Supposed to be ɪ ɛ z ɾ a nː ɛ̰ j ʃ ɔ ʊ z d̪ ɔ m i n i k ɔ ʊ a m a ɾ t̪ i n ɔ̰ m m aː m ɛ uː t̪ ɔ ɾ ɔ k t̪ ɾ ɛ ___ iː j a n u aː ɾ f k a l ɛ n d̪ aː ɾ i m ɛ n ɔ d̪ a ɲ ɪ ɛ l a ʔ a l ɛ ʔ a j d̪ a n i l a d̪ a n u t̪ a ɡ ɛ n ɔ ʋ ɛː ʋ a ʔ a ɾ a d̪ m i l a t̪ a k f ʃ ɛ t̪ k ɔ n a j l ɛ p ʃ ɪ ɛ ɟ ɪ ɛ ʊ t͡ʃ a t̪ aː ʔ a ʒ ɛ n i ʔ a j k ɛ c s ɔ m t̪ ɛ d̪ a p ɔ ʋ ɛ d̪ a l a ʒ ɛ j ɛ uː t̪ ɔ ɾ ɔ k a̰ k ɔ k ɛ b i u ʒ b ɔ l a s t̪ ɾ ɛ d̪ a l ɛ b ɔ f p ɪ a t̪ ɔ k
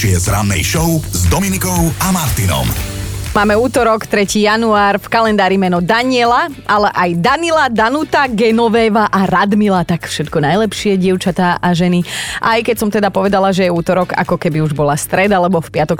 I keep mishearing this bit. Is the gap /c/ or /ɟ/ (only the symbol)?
c